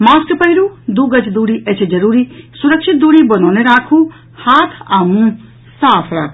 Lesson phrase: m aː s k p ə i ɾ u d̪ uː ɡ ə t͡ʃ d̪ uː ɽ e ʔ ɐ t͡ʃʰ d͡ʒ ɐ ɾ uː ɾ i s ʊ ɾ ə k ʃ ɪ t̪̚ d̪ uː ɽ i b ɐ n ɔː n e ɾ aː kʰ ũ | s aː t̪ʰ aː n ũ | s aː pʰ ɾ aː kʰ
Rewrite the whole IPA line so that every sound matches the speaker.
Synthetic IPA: m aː s k p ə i ɾ u d̪ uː ɡ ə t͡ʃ d̪ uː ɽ i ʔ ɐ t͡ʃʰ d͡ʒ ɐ ɾ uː ɾ i s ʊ ɾ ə k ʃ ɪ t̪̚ d̪ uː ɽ i b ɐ n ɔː n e ɾ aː kʰ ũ | h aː t̪ʰ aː m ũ | s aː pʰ ɾ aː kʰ